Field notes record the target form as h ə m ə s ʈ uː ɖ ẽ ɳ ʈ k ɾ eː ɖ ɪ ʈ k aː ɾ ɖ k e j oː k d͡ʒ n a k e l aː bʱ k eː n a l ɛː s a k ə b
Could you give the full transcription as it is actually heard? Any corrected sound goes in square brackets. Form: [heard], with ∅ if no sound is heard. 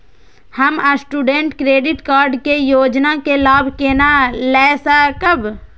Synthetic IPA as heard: h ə m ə s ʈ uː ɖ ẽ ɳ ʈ k ɾ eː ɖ ɪ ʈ k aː ɾ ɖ k e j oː [∅] d͡ʒ n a k e l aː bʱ k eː n a l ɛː s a k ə b